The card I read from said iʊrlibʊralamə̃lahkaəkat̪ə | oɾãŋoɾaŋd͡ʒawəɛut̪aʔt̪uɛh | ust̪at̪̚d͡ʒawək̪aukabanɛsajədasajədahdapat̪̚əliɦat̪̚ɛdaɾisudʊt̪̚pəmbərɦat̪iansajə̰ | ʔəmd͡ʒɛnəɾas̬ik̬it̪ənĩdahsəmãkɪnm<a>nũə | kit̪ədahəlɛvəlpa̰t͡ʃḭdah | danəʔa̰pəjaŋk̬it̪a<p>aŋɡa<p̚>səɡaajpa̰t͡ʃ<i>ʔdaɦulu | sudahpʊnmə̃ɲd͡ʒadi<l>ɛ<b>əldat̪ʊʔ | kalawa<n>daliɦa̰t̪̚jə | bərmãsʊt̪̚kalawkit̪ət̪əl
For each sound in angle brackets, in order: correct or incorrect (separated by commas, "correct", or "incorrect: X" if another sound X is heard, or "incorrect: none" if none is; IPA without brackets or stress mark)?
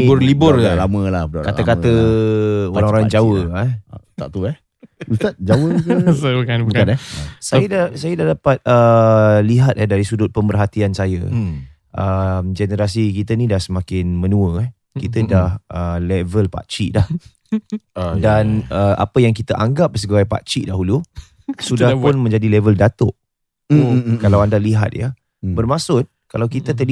incorrect: ə, incorrect: ʔ, correct, correct, correct, incorrect: v, correct